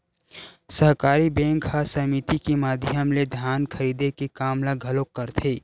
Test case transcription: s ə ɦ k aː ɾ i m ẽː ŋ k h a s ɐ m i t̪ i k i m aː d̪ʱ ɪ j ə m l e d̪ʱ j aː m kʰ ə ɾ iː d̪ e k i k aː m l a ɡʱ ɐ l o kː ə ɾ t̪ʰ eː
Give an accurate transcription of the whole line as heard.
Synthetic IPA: s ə ɦ k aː ɾ i b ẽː ŋ k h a s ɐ m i t̪ i k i m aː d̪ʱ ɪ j ə m l e d̪ʱ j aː n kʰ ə ɾ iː d̪ e k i k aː m l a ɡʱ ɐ l o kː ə ɾ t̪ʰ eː